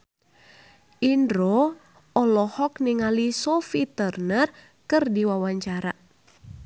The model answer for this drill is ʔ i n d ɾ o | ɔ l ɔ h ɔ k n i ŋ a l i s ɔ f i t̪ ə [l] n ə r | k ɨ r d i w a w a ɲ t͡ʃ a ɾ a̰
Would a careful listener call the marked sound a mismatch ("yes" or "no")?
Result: yes